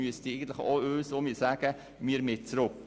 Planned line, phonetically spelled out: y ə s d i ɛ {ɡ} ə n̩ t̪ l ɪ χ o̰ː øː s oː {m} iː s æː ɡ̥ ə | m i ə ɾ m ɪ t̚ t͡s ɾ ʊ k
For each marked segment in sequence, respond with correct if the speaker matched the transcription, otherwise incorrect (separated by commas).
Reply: correct, correct